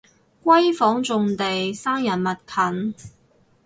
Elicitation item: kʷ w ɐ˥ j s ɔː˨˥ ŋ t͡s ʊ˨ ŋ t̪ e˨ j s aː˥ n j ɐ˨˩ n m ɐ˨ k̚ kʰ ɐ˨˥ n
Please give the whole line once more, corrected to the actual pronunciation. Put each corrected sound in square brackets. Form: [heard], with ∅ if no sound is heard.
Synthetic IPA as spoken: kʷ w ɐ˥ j [f] ɔː˨˥ ŋ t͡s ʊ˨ ŋ t̪ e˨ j s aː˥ [ŋ] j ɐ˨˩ n m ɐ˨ [t̚] kʰ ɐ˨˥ n